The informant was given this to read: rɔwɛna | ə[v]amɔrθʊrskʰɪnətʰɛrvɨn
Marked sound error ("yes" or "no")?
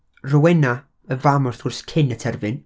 no